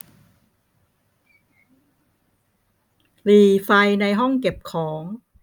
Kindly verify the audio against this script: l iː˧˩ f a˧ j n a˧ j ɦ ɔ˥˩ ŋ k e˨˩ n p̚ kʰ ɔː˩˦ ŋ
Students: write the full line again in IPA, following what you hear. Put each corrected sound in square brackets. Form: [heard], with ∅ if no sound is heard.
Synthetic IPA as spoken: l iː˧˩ f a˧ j n a˧ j ɦ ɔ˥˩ ŋ k e˨˩ [∅] p̚ kʰ ɔː˩˦ ŋ